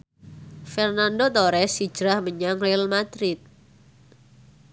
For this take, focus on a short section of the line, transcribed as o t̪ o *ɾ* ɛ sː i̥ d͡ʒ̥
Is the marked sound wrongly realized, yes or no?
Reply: no